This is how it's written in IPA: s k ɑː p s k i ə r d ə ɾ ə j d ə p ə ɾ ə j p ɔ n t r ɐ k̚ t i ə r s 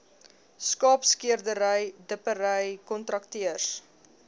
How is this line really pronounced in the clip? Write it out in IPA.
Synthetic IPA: s k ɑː p s k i ə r d ə ɾ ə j d ə p ə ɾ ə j k ɔ n t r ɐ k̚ t i ə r s